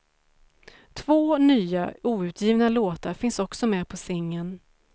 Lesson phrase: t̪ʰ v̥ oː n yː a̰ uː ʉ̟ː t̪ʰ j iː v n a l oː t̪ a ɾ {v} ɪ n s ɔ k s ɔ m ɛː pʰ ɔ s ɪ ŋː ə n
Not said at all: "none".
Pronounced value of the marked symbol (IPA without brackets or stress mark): f